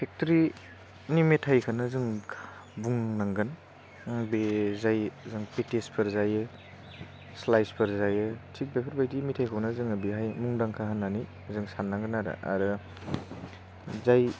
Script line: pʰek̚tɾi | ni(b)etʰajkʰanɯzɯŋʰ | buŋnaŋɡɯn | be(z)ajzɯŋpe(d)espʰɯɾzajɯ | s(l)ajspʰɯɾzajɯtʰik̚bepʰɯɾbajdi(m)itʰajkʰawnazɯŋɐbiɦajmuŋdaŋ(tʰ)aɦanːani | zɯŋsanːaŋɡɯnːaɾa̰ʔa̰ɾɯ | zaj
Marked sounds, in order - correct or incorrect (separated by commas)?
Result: incorrect, correct, incorrect, correct, correct, incorrect